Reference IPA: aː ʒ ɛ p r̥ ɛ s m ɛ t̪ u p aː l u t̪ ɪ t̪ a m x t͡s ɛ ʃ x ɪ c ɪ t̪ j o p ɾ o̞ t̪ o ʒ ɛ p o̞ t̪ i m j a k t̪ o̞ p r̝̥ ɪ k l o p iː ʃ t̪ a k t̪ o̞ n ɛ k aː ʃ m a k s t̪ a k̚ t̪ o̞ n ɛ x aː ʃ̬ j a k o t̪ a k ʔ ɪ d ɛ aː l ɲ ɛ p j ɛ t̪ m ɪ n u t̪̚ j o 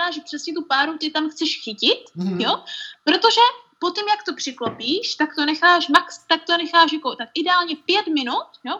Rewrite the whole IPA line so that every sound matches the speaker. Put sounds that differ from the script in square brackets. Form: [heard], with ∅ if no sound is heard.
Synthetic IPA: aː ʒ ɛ p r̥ ɛ s [ɲ] ɛ t̪ u p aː [ɾ] u t̪ ɪ t̪ a m x t͡s ɛ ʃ x ɪ c ɪ t̪ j o p ɾ o̞ t̪ o ʒ ɛ p o̞ t̪ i m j a k t̪ o̞ p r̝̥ ɪ k l o p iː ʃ t̪ a k t̪ o̞ n ɛ [x] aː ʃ m a k s t̪ a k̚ t̪ o̞ n ɛ x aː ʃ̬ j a k o t̪ a k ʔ ɪ d ɛ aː l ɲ ɛ p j ɛ t̪ m ɪ n u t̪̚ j o